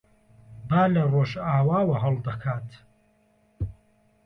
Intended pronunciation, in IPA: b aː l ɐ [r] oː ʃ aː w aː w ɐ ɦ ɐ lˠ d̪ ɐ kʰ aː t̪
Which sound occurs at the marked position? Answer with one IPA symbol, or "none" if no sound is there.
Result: r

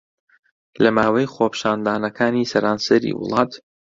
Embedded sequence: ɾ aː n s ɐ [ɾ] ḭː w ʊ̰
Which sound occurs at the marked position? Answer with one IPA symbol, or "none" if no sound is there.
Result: ɾ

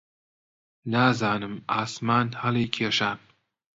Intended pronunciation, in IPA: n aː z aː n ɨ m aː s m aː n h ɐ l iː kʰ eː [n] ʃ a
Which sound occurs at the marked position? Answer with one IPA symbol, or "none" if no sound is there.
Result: none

